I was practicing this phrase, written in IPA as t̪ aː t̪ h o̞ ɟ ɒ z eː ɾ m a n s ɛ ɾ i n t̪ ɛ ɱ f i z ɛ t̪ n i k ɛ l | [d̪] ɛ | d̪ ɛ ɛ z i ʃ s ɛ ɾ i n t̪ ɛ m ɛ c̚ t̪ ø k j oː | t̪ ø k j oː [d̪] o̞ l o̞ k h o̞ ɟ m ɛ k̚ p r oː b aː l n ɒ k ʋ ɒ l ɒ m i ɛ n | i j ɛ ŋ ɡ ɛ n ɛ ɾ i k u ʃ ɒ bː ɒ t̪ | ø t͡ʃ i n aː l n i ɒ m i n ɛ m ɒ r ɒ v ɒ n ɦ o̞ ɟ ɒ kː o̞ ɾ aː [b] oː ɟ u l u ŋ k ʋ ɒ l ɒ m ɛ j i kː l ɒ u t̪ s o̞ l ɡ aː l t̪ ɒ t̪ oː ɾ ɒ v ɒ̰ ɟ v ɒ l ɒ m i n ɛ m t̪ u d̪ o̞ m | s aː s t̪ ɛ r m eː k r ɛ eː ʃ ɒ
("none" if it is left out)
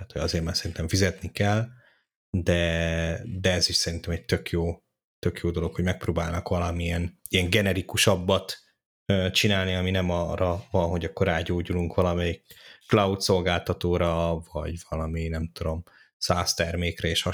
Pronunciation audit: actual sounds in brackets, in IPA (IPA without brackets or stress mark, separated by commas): d̪, d̪, ɟ